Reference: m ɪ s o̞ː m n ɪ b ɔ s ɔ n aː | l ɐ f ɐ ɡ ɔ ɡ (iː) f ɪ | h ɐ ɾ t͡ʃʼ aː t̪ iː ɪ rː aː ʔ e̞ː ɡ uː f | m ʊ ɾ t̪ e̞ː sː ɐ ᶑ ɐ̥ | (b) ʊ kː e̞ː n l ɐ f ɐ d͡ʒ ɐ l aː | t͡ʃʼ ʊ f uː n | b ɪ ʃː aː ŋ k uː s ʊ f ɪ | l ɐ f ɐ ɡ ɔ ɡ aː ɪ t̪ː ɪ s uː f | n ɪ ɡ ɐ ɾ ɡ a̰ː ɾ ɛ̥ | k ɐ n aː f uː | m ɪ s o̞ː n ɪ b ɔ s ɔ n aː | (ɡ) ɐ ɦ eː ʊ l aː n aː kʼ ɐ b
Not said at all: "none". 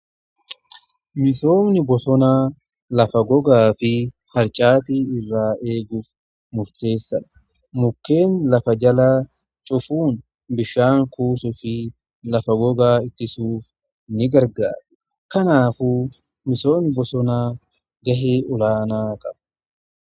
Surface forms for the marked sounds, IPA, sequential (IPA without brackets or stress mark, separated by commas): aː, m, ɡ